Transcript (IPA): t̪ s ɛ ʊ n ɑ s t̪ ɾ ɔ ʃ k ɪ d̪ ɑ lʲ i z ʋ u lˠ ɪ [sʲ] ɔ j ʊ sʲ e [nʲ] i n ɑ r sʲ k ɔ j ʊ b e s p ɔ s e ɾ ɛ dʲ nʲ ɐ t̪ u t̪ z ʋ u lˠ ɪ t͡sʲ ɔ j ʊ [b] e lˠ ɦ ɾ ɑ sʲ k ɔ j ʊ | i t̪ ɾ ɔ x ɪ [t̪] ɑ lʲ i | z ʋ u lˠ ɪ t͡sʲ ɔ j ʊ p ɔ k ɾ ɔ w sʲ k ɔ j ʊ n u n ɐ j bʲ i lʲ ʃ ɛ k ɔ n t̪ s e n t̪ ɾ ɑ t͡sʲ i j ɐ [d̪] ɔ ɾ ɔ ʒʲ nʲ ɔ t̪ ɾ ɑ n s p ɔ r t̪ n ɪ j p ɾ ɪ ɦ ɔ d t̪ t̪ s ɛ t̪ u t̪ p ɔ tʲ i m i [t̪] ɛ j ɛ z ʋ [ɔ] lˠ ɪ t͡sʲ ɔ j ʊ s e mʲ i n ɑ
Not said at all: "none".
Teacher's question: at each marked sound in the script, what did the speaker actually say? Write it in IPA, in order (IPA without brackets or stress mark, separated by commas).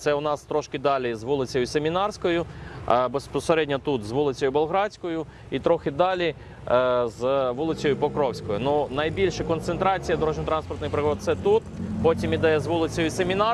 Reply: t͡sʲ, mʲ, b, d̪, d̪, d̪, u